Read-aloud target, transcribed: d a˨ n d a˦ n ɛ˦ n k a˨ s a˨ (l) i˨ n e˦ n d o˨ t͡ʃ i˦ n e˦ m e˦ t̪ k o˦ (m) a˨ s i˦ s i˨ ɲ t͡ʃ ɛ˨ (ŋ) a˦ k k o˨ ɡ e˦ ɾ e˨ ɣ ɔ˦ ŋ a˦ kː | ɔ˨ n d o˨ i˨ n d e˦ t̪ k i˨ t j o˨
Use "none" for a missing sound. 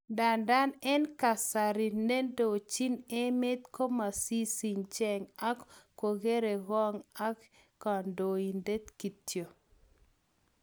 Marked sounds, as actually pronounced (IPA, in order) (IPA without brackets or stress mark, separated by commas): ɾ, m, ŋ